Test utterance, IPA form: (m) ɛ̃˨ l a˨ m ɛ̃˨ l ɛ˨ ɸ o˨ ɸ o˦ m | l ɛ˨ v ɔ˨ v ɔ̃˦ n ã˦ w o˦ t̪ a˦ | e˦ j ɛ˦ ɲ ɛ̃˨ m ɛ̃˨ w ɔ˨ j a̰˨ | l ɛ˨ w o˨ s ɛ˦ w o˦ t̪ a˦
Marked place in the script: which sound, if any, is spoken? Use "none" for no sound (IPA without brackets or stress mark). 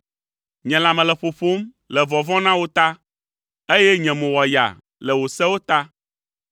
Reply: ɲ